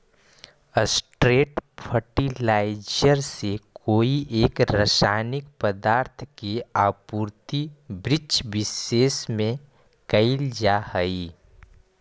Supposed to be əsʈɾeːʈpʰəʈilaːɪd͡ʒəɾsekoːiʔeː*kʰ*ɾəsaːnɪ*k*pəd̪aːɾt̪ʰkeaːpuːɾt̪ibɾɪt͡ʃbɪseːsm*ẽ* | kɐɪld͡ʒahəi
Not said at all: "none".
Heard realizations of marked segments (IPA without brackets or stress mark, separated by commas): k, k, ẽ